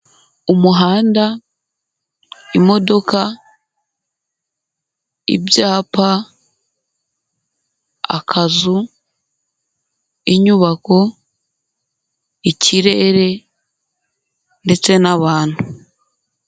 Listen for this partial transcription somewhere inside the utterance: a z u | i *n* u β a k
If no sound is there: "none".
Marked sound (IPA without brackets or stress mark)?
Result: ɲ